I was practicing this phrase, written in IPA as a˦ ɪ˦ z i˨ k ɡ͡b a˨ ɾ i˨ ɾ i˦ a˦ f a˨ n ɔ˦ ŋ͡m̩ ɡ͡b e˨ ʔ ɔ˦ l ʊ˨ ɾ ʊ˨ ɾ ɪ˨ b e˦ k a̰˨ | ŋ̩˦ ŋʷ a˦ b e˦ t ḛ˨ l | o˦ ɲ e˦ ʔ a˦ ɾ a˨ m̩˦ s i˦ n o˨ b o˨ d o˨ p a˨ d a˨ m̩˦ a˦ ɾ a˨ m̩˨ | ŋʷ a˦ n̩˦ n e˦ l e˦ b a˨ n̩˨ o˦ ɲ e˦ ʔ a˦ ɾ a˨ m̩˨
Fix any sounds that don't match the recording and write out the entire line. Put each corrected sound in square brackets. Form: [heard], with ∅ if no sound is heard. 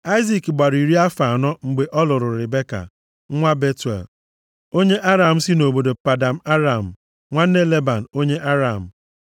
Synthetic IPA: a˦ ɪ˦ z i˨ k ɡ͡b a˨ ɾ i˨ ɾ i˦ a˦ f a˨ n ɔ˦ ŋ͡m̩ ɡ͡b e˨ ʔ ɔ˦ l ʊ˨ ɾ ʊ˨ ɾ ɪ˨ b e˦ k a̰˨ | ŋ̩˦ ŋʷ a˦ b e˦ t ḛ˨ l | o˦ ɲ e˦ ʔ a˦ ɾ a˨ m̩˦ s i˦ n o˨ b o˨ d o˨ p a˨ d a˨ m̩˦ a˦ ɾ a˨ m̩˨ | ŋʷ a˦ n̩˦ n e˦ l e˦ b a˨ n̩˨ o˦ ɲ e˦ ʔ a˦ ɾ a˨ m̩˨